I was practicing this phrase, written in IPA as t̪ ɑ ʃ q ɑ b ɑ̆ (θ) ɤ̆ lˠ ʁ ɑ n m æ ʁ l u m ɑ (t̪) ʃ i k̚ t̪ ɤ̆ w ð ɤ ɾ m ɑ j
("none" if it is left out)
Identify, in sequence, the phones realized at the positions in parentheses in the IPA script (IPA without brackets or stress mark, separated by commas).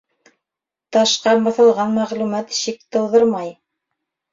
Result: θ, t̪